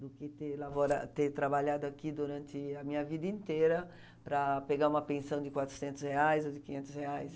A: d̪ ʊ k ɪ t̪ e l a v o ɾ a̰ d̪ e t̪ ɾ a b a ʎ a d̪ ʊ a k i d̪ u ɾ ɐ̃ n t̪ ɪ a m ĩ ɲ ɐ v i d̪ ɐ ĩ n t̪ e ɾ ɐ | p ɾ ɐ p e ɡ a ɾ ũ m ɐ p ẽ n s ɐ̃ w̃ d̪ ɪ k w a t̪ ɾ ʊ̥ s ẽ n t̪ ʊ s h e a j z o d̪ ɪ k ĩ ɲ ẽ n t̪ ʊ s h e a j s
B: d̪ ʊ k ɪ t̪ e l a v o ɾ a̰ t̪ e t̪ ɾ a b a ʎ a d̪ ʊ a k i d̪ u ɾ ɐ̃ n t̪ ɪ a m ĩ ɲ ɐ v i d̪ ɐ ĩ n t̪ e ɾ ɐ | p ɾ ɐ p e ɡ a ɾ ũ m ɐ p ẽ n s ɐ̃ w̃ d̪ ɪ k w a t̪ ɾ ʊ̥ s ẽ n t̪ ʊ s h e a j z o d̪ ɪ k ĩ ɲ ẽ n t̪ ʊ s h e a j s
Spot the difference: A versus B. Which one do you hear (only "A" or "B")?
B